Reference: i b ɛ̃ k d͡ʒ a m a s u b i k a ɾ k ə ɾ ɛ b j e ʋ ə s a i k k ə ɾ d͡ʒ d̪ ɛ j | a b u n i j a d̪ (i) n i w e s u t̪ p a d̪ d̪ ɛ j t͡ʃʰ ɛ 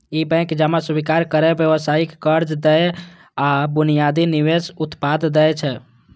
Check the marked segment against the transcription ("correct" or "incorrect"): correct